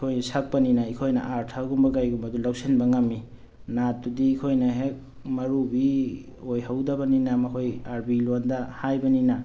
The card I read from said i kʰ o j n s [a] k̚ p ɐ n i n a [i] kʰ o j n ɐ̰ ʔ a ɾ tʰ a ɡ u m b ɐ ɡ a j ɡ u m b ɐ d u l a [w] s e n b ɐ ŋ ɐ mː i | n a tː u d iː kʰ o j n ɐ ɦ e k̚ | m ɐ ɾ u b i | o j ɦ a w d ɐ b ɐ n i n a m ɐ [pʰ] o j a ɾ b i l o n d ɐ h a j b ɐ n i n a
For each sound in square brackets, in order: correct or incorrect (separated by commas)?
correct, correct, correct, incorrect